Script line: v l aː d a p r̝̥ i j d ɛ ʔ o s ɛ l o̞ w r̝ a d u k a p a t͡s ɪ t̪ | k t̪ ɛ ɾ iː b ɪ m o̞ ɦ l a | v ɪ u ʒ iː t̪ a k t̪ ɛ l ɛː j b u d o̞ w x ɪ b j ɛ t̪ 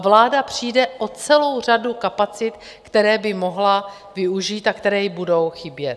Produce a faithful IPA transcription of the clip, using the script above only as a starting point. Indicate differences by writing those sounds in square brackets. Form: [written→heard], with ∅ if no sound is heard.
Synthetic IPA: v l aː d a p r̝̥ i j d ɛ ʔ o [s→t͡s] ɛ l o̞ w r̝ a d u k a p a t͡s ɪ t̪ | k t̪ ɛ ɾ [iː→ɛː] b ɪ m o̞ ɦ l a | v ɪ u ʒ iː t̪ a k t̪ ɛ [l→ɾ] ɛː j b u d o̞ w x ɪ b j ɛ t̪